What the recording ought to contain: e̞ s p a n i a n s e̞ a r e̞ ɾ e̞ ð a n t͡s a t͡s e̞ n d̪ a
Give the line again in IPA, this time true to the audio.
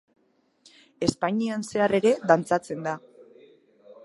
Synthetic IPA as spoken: e̞ s p a ɲ i a n s e̞ a r e̞ ɾ e̞ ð a n t͡s a t͡s e̞ n d̪ a